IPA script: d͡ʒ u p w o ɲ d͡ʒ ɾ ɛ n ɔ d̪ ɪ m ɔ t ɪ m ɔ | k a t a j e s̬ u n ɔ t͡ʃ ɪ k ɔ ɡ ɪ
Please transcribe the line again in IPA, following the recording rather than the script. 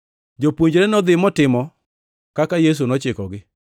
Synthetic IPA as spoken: d͡ʒ o p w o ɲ d͡ʒ ɾ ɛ n ɔ d̪ ɪ m ɔ t ɪ m ɔ | k a k a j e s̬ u n ɔ t͡ʃ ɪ k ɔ ɡ ɪ